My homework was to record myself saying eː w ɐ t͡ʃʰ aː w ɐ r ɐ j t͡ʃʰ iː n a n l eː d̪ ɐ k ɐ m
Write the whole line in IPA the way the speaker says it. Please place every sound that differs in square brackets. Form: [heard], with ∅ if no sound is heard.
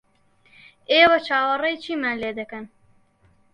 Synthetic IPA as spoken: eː w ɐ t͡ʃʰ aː w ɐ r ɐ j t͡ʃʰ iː [m] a n l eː d̪ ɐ k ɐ [n]